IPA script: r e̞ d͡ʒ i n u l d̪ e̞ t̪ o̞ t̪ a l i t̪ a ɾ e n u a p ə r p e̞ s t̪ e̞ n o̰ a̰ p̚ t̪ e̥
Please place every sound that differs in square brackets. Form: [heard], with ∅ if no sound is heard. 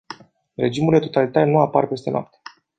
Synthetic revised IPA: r e̞ d͡ʒ i [m] u l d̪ e̞ t̪ o̞ t̪ a l i t̪ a ɾ e n u a p [a] r p e̞ s t̪ e̞ n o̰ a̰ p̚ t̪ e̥

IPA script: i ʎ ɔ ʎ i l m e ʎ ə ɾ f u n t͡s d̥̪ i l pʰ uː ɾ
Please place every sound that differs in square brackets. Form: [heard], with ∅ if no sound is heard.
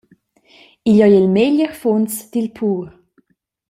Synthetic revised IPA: i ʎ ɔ [j] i l m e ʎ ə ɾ f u n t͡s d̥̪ i l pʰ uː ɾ

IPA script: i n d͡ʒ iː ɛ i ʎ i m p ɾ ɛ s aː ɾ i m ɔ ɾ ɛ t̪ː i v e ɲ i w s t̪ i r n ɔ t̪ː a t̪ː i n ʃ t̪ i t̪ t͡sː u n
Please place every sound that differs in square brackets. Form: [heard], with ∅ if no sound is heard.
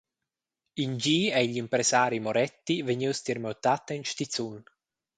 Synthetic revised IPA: i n d͡ʒ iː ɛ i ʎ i m p ɾ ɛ s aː ɾ i m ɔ ɾ ɛ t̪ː i v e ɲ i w s t̪ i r [m] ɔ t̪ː a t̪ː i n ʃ t̪ i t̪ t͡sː u n

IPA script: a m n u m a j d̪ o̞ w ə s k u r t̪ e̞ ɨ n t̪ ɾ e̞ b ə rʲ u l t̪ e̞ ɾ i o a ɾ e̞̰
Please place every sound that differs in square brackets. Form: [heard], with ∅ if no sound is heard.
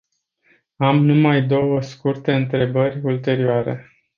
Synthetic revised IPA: a m n u m a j d̪ o̞ w ə s k u r t̪ e̞ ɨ n t̪ ɾ e̞ b ə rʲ u l t̪ e̞ ɾ i o a ɾ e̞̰

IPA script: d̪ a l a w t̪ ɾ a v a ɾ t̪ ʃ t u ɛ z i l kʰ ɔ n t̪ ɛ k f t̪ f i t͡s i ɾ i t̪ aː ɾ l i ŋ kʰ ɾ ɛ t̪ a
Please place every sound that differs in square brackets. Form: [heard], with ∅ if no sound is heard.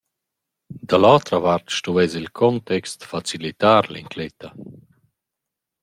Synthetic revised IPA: d̪ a l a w t̪ ɾ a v a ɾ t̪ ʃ t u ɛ z i l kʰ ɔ n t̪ ɛ k [s] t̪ f [a] t͡s i [l] i t̪ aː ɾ l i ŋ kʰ [l] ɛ t̪ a

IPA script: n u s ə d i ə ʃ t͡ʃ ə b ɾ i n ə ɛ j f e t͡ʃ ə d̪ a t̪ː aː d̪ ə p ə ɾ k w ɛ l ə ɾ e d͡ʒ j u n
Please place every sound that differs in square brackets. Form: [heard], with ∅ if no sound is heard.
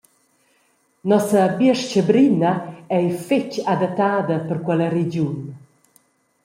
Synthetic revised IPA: n [ɔ] s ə [b] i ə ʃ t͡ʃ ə b ɾ i n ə ɛ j f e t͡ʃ [a] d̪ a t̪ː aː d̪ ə p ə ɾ k w ɛ l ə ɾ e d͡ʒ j u n

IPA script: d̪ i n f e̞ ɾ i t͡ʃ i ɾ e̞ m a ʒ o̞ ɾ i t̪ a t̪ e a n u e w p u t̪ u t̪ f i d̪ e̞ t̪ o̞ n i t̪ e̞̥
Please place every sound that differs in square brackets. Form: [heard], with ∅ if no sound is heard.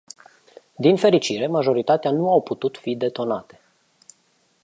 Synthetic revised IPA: d̪ i n f e̞ ɾ i t͡ʃ i ɾ e̞ m a ʒ o̞ ɾ i t̪ a t̪ e a n u [a] w p u t̪ u t̪ f i d̪ e̞ t̪ o̞ n [a] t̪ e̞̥

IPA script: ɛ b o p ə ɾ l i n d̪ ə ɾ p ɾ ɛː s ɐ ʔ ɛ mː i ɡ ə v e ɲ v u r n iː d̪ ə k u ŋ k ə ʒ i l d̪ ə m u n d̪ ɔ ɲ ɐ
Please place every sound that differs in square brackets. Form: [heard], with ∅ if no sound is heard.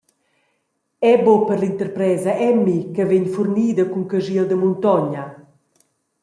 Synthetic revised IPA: ɛ b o p ə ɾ l i n [t̪] ə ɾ p ɾ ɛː [z] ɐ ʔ ɛ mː i [k] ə v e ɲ [f] u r n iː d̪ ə k u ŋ k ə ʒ i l d̪ ə m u n [t̪] ɔ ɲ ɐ

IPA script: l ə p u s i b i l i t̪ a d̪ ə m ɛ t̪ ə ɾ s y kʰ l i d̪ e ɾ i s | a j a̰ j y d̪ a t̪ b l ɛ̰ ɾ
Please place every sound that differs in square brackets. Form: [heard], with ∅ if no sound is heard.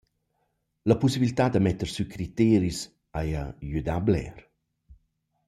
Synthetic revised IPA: l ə p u s i b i l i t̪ a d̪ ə m ɛ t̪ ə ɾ s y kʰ [ɾ] i [t̪] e ɾ i s | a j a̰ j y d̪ a [∅] b l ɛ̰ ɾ

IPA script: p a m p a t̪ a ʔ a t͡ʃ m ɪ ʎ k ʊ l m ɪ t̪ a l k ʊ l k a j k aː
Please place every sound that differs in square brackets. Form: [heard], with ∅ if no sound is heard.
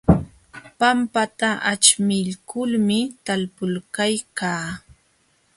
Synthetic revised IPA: p a m p a t̪ a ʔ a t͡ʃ m ɪ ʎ k ʊ l m ɪ t̪ a l [p] ʊ l k a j k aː

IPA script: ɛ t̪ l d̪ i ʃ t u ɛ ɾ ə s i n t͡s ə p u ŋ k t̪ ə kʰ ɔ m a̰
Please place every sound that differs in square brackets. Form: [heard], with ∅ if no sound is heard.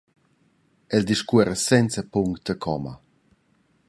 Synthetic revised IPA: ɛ [∅] l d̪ i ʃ [k] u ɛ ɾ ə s [ɛ] n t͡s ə p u ŋ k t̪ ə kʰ ɔ m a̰

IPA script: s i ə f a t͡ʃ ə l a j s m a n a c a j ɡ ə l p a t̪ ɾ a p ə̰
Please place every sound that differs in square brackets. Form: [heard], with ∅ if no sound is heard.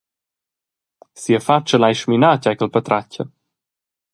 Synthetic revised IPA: s i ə f a t͡ʃ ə l a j [ʃ] m [i] n a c a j [k] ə l p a t̪ ɾ a [c] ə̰

